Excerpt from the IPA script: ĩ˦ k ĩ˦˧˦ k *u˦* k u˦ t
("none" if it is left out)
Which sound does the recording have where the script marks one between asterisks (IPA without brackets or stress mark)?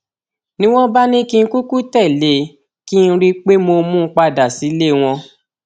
u˦